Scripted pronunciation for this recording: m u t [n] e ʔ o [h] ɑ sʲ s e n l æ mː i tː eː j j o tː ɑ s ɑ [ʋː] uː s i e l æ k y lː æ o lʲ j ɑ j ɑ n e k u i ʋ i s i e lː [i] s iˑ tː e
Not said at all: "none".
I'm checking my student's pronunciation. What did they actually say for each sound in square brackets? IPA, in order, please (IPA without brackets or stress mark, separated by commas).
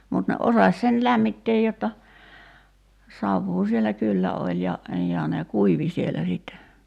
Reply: n, s, ʋː, æ